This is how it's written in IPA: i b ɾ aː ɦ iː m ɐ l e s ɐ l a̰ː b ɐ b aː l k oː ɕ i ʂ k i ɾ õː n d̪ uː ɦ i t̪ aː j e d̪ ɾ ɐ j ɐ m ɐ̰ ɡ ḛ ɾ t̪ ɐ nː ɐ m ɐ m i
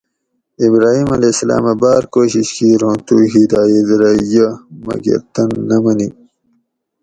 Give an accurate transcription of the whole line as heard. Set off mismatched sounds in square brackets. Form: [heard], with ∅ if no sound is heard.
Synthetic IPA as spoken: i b ɾ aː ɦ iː m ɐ l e s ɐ l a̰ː [m] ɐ b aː [ɾ] k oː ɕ i [ɕ] k i ɾ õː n [t̪] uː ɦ i [d̪] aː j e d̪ ɾ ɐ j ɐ m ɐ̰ ɡ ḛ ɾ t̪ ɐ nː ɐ m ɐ [n] i

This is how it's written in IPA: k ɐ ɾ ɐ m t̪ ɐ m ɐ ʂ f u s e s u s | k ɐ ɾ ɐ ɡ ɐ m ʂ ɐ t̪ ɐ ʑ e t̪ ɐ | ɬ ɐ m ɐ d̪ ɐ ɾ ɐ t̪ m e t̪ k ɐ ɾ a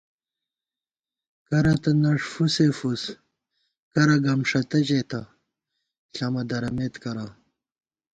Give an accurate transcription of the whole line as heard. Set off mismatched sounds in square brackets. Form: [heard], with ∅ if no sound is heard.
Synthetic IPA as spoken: k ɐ ɾ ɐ [∅] t̪ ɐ [n] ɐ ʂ f u s e [f] u s | k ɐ ɾ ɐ ɡ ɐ m ʂ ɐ t̪ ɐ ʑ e t̪ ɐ | ɬ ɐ m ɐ d̪ ɐ ɾ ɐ [∅] m e t̪ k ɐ ɾ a

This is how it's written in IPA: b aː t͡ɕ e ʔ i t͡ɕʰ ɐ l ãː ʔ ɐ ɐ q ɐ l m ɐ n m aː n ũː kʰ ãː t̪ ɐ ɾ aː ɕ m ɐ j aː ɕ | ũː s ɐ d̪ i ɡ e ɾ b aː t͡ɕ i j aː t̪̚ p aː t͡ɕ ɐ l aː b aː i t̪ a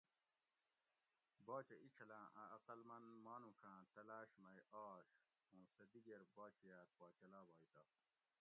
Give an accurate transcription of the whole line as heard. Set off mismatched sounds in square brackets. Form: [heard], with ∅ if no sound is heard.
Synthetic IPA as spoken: b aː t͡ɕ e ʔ i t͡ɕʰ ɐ l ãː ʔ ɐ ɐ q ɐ l m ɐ n m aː n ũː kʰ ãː t̪ ɐ [l] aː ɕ m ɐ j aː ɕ | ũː s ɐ d̪ i ɡ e ɾ b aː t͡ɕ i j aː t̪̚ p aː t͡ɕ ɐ l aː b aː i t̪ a

